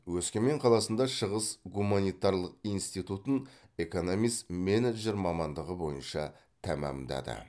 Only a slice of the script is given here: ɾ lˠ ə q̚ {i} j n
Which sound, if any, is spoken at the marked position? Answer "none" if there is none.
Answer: i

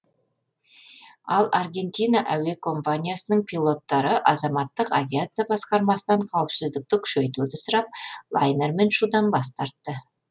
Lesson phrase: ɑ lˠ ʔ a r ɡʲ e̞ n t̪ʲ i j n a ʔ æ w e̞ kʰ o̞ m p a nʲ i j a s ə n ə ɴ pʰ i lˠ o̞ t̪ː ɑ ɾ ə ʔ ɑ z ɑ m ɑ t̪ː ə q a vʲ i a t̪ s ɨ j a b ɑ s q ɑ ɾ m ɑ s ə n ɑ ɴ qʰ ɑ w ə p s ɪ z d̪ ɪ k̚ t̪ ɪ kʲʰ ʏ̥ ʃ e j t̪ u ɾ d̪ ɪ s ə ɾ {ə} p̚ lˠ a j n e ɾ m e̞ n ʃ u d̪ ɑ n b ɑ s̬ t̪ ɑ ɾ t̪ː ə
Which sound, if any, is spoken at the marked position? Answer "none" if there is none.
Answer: ɑ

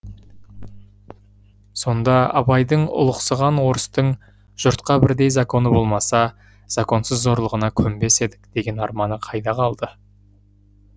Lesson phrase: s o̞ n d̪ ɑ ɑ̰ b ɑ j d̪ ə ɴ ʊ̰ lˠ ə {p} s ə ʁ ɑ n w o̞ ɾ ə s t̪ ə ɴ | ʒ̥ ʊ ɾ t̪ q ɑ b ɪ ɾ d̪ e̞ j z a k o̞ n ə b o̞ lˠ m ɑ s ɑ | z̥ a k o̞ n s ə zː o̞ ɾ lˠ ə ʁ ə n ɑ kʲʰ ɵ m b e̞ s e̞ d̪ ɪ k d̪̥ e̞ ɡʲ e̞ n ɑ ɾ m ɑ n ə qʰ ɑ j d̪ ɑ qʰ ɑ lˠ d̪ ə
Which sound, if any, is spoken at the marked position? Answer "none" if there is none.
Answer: q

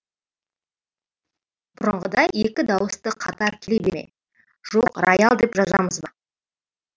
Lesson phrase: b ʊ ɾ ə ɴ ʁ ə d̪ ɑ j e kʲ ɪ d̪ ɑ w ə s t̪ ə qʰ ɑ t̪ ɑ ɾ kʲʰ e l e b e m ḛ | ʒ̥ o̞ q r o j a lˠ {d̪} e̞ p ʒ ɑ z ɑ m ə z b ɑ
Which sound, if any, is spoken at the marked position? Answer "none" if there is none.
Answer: d̪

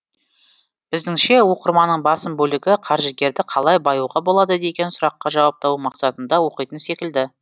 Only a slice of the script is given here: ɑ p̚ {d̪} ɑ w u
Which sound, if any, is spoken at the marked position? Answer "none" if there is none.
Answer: t̪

